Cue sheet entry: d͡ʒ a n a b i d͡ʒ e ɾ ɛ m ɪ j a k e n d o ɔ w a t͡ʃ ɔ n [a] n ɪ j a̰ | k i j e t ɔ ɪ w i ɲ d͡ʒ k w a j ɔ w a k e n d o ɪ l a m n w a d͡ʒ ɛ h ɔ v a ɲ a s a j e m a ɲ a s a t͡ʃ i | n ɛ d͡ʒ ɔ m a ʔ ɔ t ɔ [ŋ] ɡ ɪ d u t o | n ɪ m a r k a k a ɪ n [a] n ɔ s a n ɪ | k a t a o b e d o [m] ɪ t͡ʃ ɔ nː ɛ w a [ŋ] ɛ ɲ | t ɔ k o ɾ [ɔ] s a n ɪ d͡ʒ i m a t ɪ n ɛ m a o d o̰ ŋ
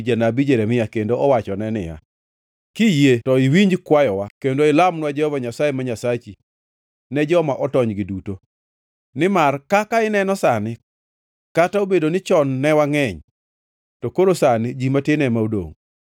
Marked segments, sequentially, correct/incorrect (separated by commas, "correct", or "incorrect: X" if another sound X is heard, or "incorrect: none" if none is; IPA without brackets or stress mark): incorrect: ɛ, incorrect: ɲ, incorrect: ɛ, incorrect: n, correct, incorrect: o